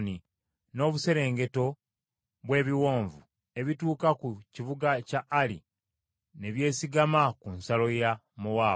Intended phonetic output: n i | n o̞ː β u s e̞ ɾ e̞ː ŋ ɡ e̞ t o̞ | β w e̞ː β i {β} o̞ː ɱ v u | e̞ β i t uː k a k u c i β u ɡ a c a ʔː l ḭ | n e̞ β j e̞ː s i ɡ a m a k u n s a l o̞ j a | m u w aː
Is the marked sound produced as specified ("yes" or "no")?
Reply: no